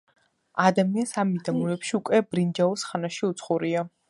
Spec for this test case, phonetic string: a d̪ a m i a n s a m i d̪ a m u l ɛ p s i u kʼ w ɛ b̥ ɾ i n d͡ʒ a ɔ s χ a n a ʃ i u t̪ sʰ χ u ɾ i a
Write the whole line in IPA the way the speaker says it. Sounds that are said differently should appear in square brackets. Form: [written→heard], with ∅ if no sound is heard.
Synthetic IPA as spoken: a d̪ a m i a n s a m i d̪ a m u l ɛ p [s→ʃ] i u kʼ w ɛ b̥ ɾ i n d͡ʒ a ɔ s χ a n a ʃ i u t̪ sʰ χ u ɾ i a

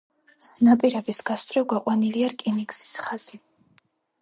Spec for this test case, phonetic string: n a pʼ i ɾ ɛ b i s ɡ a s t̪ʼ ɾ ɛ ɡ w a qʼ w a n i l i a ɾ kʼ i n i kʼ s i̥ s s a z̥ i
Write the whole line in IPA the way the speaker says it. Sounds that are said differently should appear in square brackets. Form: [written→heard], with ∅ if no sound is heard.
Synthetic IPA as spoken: n a pʼ i ɾ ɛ b i s ɡ a s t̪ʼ ɾ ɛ ɡ w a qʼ w a n i l i a ɾ kʼ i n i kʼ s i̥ s [s→χ] a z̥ i

